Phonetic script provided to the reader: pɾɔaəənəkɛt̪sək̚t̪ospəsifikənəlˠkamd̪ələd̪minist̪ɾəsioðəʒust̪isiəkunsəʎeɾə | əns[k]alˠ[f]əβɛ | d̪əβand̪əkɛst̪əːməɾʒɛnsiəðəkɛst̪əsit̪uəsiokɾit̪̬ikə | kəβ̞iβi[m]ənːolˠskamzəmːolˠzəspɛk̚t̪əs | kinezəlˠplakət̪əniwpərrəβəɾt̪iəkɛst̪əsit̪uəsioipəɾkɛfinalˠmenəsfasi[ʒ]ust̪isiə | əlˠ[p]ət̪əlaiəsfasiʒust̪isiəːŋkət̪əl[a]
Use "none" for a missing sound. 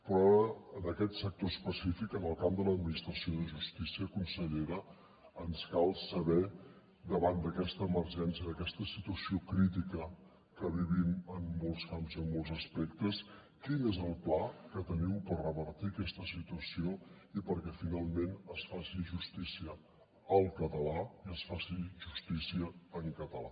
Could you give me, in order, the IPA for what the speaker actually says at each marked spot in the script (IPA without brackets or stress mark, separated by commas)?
k, s, m, ʒ, k, a